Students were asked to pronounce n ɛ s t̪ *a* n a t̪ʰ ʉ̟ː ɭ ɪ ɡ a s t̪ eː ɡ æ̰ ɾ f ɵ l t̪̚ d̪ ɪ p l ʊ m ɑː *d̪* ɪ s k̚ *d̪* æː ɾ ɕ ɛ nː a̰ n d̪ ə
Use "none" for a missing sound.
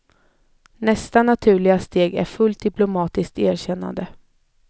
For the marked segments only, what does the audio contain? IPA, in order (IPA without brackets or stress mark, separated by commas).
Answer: a, t̪, t̪